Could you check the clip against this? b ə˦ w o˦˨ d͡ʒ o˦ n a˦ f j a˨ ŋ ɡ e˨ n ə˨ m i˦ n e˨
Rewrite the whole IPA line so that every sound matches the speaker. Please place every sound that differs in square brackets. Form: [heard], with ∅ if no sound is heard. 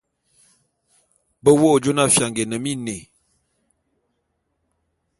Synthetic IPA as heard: b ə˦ w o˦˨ d͡ʒ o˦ n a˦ f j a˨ ŋ ɡ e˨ n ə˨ m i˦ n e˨